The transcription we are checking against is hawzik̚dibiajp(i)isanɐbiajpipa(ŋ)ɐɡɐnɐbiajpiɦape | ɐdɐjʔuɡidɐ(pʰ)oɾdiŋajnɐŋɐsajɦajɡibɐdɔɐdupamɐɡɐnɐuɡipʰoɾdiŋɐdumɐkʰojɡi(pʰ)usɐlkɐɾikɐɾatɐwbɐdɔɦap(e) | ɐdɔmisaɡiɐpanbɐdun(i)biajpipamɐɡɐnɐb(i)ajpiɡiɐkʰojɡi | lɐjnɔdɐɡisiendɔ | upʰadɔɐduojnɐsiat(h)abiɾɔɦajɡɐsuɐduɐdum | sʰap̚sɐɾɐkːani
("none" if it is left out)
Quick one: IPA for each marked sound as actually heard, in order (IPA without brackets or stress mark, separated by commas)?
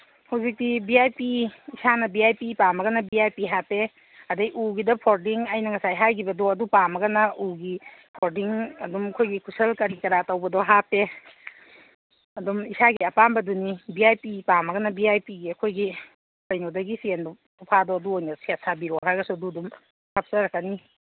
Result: i, m, pʰ, kʰ, e, i, i, s